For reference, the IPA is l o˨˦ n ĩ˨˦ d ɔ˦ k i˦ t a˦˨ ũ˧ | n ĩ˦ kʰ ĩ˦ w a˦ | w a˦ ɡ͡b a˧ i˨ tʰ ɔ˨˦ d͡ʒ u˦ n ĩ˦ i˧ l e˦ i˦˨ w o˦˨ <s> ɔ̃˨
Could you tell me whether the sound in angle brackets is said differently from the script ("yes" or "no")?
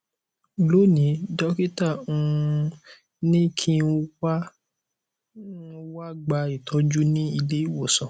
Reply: no